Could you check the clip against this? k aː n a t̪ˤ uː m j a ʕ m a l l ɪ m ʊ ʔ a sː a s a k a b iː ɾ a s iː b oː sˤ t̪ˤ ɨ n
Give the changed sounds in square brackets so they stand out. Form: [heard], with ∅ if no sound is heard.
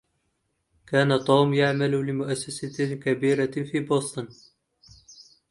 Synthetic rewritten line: k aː n a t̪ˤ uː m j a ʕ m a l l ɪ m ʊ ʔ a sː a s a k a b iː ɾ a [f] iː b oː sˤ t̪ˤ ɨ n